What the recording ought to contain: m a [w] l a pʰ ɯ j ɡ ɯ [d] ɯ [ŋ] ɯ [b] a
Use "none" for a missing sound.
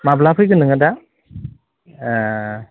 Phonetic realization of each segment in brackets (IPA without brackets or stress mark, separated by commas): b, n, ŋ, d